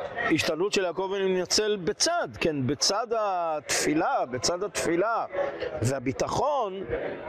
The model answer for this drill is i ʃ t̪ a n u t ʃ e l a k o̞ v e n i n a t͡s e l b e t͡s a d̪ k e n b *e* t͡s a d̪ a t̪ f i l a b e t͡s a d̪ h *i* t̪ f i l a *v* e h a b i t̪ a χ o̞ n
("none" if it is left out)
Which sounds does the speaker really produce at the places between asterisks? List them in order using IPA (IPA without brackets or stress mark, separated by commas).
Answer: e, a, v